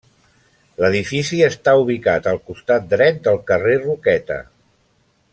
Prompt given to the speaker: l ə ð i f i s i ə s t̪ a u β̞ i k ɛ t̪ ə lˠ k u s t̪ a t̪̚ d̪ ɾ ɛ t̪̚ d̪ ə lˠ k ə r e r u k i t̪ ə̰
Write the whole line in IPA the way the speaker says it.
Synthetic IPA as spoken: l ə ð i f i s i ə s t̪ a u β̞ i k a t̪ ə lˠ k u s t̪ a t̪̚ d̪ ɾ ɛ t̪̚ d̪ ə lˠ k ə r e r u k ɛ t̪ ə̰